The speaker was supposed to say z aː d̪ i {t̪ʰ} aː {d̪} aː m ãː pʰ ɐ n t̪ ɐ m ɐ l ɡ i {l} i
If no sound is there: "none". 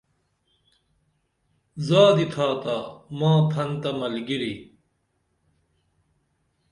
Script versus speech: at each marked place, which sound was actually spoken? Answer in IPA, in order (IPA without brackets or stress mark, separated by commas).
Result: t̪ʰ, t̪, ɾ